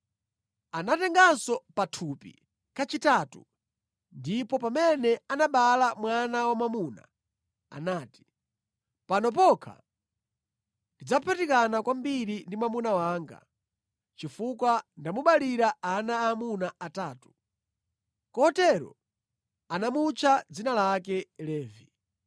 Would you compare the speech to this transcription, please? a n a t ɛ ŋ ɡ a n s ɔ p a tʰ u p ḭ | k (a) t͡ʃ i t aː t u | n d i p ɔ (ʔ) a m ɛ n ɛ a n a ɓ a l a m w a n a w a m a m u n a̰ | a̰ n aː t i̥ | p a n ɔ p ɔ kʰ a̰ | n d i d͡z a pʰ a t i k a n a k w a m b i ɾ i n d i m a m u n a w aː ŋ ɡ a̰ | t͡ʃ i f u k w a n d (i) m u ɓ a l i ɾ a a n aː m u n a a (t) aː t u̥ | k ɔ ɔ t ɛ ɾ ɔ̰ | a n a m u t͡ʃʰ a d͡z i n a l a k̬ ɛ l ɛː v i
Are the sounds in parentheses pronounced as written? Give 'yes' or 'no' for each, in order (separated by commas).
yes, no, no, yes